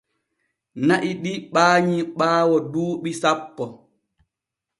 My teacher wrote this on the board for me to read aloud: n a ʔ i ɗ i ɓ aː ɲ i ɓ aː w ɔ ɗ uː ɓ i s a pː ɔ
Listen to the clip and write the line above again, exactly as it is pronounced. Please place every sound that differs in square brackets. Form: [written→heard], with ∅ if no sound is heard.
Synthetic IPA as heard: n a ʔ i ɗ i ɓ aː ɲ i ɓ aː w ɔ [ɗ→d] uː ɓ i s a pː ɔ